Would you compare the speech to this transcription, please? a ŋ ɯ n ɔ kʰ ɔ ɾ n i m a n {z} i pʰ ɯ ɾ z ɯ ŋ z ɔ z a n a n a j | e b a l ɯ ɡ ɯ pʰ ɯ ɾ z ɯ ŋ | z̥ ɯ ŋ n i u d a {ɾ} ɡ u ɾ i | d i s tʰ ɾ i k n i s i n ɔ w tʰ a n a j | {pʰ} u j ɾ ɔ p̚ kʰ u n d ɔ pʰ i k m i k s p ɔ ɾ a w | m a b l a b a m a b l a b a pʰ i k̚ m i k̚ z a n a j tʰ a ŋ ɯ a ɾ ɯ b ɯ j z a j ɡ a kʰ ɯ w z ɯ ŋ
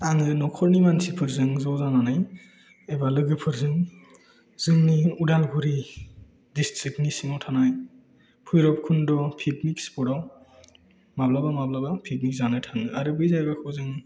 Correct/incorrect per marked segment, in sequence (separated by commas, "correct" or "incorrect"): incorrect, incorrect, correct